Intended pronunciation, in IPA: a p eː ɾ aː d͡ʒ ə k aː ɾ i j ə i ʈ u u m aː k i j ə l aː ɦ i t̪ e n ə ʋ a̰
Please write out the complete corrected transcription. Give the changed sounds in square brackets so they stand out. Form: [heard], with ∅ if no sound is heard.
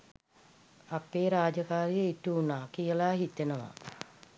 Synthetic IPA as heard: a p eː ɾ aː d͡ʒ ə k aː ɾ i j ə i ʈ u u [n] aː k i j ə l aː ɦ i t̪ e n ə ʋ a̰